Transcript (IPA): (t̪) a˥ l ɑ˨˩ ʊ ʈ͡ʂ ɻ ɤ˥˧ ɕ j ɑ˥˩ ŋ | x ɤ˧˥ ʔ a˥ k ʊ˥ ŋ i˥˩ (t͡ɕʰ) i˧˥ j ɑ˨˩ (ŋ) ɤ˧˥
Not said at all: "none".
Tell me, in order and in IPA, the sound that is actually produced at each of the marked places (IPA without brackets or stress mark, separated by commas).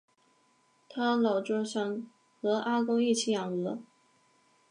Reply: t̪ʰ, t͡ɕʰ, ŋ